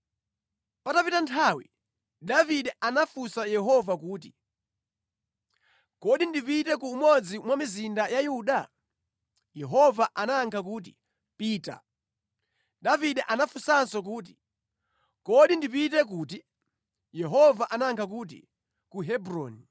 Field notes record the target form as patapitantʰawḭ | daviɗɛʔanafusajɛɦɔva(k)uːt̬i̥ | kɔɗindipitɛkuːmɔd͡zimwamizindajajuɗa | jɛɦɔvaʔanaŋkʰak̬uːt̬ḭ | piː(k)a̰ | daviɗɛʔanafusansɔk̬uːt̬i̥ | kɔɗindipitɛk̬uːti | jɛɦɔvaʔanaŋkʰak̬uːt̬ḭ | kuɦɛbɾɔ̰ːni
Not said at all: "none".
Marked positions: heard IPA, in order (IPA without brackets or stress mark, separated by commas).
k, t